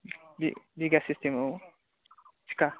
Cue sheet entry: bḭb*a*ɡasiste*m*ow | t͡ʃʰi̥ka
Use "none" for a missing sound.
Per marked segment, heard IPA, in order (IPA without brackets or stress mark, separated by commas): i, m